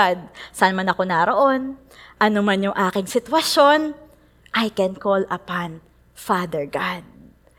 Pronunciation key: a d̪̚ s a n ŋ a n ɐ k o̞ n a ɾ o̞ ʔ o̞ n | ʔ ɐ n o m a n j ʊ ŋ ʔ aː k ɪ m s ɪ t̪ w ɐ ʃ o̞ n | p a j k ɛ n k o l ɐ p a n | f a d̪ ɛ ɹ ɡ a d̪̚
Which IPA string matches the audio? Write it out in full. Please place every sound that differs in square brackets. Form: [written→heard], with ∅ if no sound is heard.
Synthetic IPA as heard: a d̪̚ s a n [ŋ→m] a n ɐ k o̞ n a ɾ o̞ ʔ o̞ n | ʔ ɐ n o m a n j ʊ ŋ ʔ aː k ɪ [m→ŋ] s ɪ t̪ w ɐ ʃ o̞ n | [p→ʔ] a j k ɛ n k o l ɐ p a n | f a d̪ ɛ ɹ ɡ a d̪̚